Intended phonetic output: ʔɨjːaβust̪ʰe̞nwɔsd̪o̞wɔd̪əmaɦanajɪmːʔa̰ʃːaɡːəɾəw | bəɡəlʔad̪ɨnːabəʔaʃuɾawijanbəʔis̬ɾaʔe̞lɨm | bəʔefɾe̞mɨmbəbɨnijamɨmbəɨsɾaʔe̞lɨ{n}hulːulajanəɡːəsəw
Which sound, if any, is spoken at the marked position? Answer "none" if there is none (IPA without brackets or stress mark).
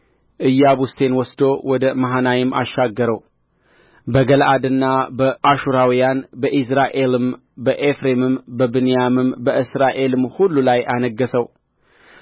m